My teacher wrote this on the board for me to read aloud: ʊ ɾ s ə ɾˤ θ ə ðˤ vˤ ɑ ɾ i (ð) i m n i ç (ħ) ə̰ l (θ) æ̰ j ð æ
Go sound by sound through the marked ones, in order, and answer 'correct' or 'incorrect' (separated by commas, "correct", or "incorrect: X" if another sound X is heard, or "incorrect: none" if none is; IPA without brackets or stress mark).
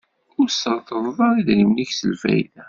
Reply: correct, incorrect: s, incorrect: f